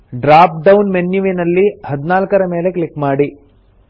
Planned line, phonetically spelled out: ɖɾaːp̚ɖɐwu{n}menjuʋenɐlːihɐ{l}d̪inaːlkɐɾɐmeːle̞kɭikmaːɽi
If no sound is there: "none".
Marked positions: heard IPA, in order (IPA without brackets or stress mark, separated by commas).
n, none